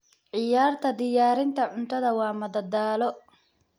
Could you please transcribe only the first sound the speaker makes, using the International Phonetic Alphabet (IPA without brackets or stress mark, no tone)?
ʕ